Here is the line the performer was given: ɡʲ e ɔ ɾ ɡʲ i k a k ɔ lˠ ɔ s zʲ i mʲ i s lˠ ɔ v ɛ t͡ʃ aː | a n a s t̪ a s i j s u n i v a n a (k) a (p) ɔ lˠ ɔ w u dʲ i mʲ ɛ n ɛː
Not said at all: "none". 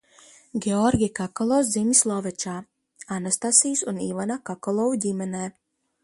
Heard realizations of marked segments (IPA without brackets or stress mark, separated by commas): k, k